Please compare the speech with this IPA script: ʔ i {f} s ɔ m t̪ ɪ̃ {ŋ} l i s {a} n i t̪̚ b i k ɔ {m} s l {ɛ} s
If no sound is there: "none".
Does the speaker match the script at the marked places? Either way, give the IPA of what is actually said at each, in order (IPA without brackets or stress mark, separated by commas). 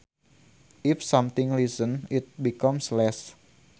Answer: f, ŋ, ə, m, ɛ